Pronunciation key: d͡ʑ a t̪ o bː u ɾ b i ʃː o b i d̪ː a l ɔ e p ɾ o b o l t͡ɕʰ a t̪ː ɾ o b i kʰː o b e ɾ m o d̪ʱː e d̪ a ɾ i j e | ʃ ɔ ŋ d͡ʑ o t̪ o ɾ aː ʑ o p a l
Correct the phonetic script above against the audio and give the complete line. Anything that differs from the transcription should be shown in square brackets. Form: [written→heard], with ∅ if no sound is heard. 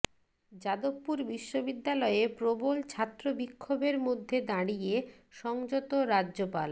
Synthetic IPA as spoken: d͡ʑ a [t̪→d̪] o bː u ɾ b i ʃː o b i d̪ː a l ɔ e p ɾ o b o l t͡ɕʰ a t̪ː ɾ o b i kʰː o b e ɾ m o d̪ʱː e d̪ a [ɾ→ɽ] i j e | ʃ ɔ ŋ d͡ʑ o t̪ o ɾ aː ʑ o p a l